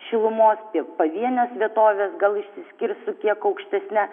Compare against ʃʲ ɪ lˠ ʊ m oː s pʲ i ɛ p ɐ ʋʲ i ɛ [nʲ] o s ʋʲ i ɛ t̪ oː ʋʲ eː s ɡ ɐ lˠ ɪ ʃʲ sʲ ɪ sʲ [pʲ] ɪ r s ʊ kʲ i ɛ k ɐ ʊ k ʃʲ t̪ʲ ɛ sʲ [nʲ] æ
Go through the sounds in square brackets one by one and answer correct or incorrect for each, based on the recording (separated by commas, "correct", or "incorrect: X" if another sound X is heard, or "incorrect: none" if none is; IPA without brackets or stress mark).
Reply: correct, incorrect: kʲ, correct